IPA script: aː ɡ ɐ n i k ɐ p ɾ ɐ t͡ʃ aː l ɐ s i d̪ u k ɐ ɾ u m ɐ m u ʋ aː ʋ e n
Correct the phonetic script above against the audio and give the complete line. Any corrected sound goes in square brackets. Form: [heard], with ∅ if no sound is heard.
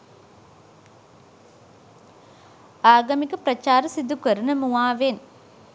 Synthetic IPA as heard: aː ɡ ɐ [m] i k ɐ p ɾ ɐ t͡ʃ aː [ɾ] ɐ s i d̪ u k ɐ ɾ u [n] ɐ m u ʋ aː ʋ e n

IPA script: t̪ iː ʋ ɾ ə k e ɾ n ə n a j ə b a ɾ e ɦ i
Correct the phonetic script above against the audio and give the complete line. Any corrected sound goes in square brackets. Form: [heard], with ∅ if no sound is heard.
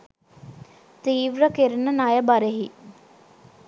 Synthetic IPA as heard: t̪ iː ʋ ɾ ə k e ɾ n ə n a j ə b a ɾ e ɦ i

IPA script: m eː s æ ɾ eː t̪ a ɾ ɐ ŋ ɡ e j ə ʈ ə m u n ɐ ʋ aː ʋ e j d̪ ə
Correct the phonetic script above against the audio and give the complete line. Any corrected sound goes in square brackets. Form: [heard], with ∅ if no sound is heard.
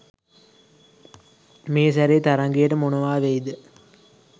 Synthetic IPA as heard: m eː s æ ɾ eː t̪ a ɾ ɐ ŋ ɡ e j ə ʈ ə m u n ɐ ʋ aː ʋ e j d̪ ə

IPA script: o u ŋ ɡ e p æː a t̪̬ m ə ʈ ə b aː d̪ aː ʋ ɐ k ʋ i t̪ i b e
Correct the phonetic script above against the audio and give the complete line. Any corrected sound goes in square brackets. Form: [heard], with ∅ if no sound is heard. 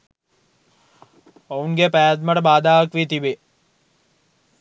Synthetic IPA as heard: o u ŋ ɡ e p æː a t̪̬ m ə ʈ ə b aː d̪ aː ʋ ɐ k ʋ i t̪ i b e

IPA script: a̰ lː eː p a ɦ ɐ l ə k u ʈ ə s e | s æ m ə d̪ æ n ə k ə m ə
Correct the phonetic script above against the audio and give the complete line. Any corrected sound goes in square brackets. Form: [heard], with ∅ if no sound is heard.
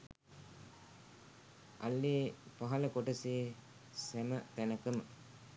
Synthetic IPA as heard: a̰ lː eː p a ɦ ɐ l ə k [o] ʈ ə s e | s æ m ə [t̪] æ n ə k ə m ə

